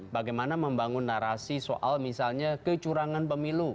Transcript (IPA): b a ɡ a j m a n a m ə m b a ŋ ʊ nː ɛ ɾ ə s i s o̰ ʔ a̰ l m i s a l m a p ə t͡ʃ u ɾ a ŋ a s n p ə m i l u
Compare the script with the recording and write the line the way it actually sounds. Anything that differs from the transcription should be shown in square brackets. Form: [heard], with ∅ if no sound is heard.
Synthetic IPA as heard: b a ɡ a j m a n a m ə m b a ŋ ʊ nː [a] ɾ [a] s i s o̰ ʔ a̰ l m i s a l [ɲ] a [k] ə t͡ʃ u ɾ a ŋ a [∅] n p ə m i l u